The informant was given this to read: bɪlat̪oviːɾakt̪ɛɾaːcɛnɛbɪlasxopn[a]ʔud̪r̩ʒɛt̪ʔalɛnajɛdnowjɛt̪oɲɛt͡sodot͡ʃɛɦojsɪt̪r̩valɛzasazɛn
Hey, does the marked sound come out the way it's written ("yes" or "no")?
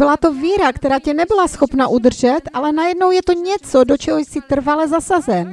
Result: yes